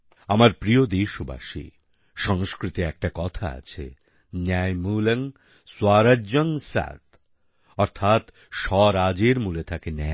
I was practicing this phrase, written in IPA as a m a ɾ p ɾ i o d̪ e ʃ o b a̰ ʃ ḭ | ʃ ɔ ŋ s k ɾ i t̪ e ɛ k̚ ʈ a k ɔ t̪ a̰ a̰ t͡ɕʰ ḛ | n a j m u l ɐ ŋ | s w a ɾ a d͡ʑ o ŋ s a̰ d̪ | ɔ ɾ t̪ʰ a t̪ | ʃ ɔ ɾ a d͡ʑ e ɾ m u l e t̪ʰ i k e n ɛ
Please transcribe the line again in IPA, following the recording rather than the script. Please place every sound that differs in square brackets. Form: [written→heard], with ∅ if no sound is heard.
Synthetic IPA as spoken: a m a ɾ p ɾ i o d̪ e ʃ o b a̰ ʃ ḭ | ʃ ɔ ŋ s k ɾ i t̪ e ɛ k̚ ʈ a k ɔ [t̪→t̪ʰ] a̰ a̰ t͡ɕʰ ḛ | n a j m u l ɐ ŋ | s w a ɾ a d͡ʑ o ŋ s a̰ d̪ | ɔ ɾ t̪ʰ a t̪ | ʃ ɔ ɾ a d͡ʑ e ɾ m u l e t̪ʰ [i→a] k e n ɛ